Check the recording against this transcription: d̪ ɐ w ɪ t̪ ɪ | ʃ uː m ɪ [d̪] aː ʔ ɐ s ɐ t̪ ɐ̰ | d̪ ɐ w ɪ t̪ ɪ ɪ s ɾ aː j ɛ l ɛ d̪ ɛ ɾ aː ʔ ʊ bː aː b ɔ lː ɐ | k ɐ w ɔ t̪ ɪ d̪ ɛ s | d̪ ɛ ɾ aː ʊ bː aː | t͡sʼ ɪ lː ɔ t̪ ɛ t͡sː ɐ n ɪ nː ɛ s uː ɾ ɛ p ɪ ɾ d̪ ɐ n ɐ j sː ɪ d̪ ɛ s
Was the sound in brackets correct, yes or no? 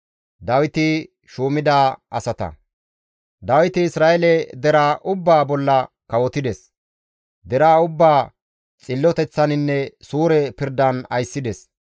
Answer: yes